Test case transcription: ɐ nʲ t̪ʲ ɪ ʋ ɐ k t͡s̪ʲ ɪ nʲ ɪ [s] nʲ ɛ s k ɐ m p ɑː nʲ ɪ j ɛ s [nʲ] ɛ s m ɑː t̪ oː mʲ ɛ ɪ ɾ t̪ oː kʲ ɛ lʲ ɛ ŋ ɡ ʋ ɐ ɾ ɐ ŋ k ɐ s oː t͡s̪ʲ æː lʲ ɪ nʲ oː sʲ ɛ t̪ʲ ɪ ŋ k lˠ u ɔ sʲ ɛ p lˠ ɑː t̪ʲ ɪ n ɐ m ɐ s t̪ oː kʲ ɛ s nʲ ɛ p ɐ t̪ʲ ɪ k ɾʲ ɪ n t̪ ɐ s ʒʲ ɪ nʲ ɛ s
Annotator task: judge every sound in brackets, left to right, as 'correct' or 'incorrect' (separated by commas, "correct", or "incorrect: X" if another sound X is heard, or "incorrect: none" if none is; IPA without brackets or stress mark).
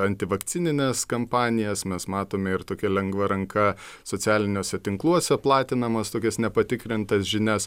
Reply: incorrect: none, incorrect: mʲ